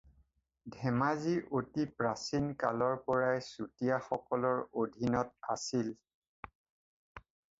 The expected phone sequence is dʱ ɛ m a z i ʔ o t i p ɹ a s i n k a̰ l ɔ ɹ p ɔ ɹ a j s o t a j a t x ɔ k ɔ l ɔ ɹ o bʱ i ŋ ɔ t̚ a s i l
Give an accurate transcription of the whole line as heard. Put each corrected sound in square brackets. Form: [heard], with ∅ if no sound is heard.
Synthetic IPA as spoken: dʱ ɛ m a z i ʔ o t i p ɹ a s i n k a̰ l ɔ ɹ p ɔ ɹ a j s [u] t [i] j a [∅] x ɔ k ɔ l ɔ ɹ o [dʱ] i [n] ɔ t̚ a s i l